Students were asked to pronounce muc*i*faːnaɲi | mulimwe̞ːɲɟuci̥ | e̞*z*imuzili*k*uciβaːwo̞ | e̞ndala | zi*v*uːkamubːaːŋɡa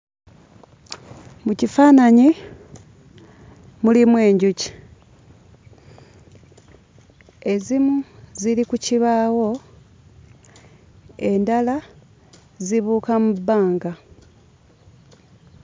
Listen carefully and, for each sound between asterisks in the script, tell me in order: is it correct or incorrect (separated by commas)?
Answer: correct, correct, correct, incorrect